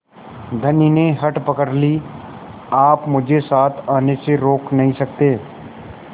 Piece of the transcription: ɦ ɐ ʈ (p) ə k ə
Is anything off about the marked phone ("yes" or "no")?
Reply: no